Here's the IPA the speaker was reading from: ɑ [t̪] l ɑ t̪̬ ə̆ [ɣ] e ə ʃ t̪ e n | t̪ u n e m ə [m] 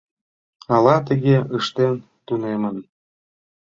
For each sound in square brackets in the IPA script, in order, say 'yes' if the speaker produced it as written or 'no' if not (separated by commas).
no, yes, no